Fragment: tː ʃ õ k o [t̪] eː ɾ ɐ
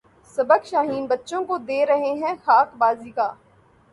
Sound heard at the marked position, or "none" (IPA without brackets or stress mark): d̪